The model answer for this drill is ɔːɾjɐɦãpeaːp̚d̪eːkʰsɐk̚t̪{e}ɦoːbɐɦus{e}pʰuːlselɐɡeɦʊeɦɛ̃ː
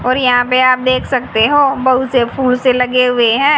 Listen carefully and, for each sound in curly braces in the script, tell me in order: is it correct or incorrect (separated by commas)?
correct, correct